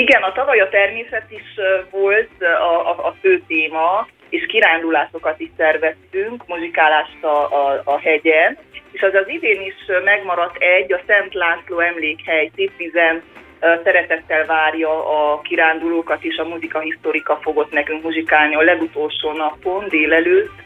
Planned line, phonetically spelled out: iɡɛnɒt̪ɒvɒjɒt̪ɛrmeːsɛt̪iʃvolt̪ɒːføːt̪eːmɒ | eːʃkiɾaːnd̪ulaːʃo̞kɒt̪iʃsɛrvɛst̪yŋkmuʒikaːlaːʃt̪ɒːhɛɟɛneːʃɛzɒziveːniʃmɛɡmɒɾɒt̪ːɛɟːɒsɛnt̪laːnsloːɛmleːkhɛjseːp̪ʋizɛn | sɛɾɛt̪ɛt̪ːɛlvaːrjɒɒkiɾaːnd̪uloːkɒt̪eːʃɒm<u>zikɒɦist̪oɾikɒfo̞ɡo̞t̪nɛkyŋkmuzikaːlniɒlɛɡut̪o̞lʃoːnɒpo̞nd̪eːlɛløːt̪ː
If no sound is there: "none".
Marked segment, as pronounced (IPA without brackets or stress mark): u